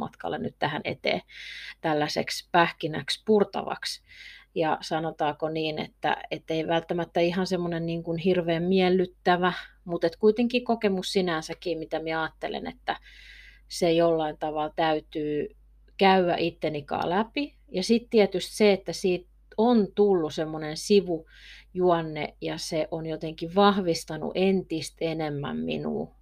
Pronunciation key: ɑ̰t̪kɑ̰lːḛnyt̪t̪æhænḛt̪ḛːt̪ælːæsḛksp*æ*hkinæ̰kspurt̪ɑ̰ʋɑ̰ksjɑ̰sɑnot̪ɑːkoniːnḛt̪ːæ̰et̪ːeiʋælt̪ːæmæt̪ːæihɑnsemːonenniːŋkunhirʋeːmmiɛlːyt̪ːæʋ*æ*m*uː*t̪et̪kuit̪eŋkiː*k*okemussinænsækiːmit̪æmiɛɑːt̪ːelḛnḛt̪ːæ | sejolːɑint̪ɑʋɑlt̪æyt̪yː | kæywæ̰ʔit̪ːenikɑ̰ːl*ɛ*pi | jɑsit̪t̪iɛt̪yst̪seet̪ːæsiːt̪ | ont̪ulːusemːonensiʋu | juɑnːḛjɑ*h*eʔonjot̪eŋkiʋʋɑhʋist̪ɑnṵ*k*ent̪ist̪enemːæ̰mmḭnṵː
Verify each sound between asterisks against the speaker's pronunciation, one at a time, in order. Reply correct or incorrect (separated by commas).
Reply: correct, correct, incorrect, correct, incorrect, incorrect, incorrect